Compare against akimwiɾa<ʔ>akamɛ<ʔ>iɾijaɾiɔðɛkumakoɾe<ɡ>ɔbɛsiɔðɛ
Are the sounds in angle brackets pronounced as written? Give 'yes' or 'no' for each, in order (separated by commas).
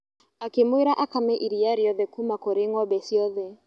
yes, yes, no